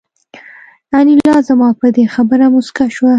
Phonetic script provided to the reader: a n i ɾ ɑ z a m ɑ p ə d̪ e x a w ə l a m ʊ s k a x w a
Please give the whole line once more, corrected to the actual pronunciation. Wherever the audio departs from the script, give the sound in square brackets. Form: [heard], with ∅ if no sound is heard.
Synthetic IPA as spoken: a n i [l] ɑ z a m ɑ p ə d̪ e x a [b] ə [ɾ] a m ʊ s k a [ʃ] w a